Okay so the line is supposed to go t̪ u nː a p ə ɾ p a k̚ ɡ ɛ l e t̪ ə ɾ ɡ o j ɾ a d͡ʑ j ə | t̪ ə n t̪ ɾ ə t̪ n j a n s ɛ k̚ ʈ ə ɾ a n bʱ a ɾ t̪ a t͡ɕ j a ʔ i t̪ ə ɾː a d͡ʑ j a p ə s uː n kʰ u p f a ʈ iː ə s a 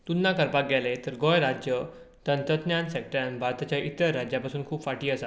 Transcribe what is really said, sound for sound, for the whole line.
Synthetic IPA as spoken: t̪ u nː a k ə ɾ p a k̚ ɡ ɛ l e t̪ ə ɾ ɡ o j ɾ a d͡ʑ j ə | t̪ ə n t̪ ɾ ə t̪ n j a n s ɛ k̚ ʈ ə ɾ a n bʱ a ɾ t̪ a t͡ɕ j a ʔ i t̪ ə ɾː a d͡ʑ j a p a s uː n kʰ uː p f a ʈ iː ə s a